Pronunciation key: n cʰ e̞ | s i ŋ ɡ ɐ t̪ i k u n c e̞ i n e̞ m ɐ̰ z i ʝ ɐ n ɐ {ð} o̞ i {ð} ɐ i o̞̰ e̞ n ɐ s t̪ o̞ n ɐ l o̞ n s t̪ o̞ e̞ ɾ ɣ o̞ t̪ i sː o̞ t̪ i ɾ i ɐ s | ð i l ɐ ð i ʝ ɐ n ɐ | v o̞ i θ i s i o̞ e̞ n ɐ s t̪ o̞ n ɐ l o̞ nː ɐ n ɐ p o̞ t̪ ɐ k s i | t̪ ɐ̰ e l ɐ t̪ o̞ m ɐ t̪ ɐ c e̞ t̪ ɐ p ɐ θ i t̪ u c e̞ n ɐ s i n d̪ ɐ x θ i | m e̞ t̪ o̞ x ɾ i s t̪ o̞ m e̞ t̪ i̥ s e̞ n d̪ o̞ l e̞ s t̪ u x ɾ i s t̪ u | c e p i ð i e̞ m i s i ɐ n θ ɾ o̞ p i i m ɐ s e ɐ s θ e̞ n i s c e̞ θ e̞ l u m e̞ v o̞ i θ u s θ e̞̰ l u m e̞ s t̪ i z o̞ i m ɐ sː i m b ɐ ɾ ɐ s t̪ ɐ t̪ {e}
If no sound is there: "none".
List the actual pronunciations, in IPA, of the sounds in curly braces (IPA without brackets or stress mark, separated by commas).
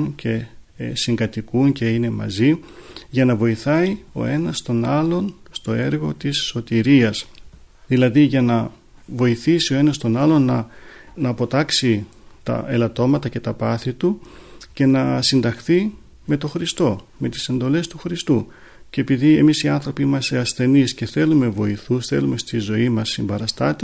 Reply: v, θ, e